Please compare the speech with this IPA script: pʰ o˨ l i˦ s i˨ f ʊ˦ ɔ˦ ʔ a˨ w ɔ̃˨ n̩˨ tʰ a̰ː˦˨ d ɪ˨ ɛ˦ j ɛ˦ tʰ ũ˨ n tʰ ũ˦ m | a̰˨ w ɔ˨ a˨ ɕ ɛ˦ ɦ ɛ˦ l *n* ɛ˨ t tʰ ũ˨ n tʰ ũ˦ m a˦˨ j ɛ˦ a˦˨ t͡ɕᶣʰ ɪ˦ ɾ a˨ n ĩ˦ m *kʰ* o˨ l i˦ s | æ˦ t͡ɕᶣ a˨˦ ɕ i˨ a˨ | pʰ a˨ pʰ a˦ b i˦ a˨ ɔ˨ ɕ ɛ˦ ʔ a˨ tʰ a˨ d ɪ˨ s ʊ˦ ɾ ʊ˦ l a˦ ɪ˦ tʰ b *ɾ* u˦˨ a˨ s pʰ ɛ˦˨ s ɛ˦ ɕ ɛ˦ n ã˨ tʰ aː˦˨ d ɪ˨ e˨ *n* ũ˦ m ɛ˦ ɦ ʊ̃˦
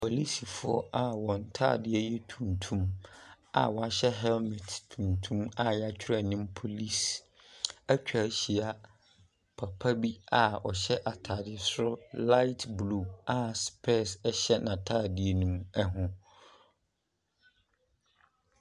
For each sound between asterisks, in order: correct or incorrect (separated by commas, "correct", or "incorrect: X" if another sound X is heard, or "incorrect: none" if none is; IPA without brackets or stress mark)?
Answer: incorrect: m, incorrect: pʰ, incorrect: l, correct